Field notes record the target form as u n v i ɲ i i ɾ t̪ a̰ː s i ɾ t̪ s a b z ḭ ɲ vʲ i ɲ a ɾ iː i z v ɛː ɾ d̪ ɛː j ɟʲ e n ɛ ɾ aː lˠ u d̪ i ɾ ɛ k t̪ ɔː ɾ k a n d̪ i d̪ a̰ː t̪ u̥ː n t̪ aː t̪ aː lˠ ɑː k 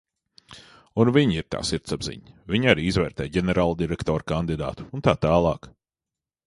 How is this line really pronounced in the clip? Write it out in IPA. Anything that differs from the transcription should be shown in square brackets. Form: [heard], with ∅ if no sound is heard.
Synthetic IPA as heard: u n v i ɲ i i ɾ t̪ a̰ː s i ɾ t̪ s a b z ḭ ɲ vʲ i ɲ a ɾ iː i z v ɛː ɾ [t̪] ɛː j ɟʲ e n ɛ ɾ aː lˠ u d̪ i ɾ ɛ k t̪ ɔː ɾ k a n d̪ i d̪ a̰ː t̪ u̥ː n t̪ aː t̪ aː lˠ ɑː k